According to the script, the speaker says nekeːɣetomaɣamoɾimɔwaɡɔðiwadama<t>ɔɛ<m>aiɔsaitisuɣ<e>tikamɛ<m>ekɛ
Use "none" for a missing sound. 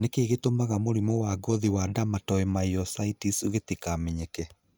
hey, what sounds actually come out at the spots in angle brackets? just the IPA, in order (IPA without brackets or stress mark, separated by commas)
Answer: t, m, e, ɲ